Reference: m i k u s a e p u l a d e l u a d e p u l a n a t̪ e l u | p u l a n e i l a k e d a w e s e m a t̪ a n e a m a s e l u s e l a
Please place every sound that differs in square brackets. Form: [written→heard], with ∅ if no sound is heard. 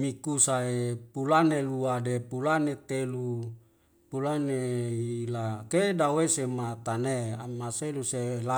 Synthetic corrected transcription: m i k u s a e p u l a [d→n] e l u a d e p u l a n [a→e] t̪ e l u | p u l a n e i l a k e d a w e s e m a t̪ a n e a m a s e l u s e l a